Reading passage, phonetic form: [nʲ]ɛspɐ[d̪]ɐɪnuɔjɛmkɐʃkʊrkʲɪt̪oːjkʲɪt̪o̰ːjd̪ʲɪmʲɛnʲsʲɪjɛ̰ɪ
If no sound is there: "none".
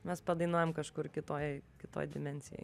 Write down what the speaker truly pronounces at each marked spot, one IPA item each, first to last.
mʲ, d̪

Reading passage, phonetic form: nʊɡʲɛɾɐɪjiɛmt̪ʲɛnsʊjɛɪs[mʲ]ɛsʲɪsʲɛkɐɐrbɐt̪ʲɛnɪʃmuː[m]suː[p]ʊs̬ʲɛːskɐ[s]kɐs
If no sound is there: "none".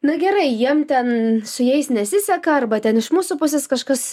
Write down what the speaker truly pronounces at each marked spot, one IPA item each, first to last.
nʲ, none, p, ʃ

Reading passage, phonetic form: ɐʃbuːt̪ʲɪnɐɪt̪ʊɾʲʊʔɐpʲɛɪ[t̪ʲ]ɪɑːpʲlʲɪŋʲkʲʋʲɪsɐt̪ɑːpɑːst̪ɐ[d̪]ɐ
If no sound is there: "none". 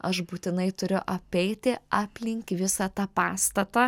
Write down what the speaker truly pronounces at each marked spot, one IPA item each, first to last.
t̪ʲ, t̪

